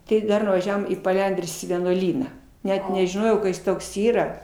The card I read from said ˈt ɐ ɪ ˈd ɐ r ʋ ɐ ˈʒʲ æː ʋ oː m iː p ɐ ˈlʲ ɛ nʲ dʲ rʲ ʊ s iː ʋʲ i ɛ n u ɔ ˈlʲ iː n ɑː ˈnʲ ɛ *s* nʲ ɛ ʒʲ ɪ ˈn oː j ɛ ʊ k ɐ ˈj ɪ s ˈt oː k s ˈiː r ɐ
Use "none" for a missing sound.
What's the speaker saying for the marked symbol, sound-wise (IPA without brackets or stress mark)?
t